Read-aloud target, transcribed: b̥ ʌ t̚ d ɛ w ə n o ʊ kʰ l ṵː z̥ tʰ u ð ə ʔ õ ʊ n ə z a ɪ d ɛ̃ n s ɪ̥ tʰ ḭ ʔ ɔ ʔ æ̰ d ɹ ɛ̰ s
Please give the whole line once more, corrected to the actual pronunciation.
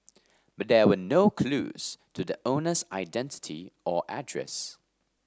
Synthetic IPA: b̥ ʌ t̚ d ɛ w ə n o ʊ kʰ l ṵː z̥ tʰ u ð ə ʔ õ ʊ n ə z a ɪ d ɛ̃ n t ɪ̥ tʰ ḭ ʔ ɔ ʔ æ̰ d ɹ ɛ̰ s